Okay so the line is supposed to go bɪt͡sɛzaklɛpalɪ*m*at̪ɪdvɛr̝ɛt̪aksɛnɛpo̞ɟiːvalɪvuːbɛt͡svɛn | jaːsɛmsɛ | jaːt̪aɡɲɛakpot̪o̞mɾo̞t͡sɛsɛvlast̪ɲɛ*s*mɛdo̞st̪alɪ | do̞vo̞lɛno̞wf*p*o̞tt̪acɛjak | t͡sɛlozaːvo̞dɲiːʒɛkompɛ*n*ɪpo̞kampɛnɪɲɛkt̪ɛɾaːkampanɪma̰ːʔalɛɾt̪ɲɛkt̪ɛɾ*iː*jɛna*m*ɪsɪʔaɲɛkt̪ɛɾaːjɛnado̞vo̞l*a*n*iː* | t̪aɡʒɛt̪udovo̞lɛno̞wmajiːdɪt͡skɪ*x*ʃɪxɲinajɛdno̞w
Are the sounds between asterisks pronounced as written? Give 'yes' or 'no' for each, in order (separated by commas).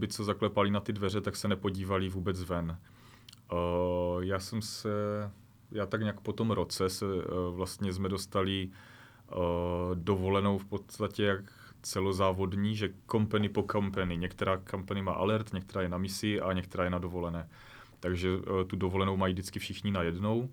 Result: no, no, yes, yes, no, yes, no, no, no